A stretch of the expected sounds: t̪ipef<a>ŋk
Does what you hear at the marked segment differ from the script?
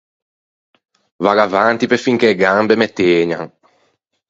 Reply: yes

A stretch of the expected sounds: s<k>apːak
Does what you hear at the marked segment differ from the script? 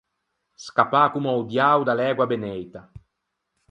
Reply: no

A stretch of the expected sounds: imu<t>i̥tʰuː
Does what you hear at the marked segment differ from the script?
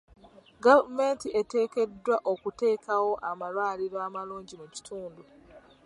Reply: yes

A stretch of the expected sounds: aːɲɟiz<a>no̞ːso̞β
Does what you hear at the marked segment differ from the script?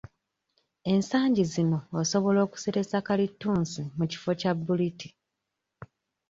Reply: yes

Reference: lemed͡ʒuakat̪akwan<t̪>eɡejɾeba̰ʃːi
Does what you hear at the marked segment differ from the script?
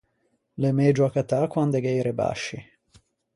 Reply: yes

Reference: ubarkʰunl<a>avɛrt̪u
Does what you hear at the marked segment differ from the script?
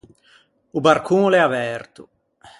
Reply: yes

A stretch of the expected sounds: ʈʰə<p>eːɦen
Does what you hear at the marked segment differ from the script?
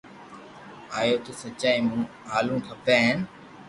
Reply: no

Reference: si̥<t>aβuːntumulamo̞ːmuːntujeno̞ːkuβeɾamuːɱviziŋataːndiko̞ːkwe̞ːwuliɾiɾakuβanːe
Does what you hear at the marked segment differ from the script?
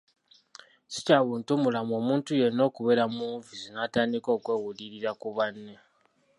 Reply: yes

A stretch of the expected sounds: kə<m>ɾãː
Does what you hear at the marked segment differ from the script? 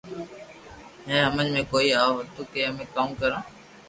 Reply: yes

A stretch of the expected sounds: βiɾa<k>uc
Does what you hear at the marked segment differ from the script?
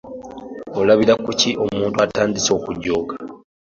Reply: no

